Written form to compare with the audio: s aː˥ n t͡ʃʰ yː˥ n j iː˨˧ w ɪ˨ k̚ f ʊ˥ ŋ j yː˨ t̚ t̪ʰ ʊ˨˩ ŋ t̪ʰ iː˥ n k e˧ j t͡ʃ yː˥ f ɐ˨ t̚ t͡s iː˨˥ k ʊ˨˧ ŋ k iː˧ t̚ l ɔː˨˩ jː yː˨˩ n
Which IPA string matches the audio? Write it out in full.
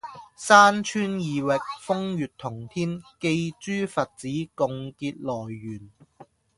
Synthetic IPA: s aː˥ n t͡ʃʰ yː˥ n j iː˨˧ w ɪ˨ k̚ f ʊ˥ ŋ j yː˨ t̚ t̪ʰ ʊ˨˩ ŋ t̪ʰ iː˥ n k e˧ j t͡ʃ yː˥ f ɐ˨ t̚ t͡s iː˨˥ k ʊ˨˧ ŋ k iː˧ t̚ l ɔː˨˩ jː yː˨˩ n

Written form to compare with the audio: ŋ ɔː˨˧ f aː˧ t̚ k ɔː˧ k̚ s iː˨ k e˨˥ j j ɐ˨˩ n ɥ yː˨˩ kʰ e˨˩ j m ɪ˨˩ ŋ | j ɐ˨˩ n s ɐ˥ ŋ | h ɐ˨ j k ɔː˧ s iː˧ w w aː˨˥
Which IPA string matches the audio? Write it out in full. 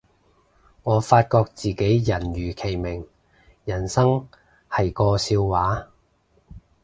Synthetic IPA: ŋ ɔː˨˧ f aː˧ t̚ k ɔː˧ k̚ t͡s iː˨ k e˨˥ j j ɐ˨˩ n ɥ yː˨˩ kʰ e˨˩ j m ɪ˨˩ ŋ | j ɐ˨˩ n s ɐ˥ ŋ | h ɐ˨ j k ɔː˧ s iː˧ w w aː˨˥

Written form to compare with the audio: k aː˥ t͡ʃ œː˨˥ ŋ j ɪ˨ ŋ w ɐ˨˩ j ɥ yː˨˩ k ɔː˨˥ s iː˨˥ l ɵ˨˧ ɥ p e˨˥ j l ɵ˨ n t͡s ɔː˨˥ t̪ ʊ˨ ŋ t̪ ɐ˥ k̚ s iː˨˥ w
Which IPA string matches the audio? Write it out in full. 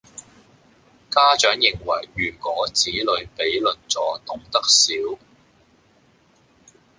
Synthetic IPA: k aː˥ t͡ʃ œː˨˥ ŋ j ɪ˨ ŋ w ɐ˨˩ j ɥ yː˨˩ k ɔː˨˥ t͡s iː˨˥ l ɵ˨˧ ɥ p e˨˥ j l ɵ˨ n t͡s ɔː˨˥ t̪ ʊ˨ ŋ t̪ ɐ˥ k̚ s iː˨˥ w

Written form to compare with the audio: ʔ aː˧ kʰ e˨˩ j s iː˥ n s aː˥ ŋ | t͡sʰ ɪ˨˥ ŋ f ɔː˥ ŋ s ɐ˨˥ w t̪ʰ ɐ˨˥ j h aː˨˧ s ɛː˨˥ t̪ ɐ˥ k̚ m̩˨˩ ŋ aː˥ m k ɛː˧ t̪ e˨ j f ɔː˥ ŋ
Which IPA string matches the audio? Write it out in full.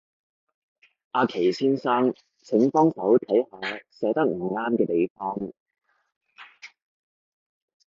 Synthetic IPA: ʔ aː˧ kʰ e˨˩ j s iː˥ n s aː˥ ŋ | t͡sʰ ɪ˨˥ ŋ f ɔː˥ ŋ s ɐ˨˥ w t̪ʰ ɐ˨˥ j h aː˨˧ s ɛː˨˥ t̪ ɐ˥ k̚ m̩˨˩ ŋ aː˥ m k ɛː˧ t̪ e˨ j f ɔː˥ ŋ

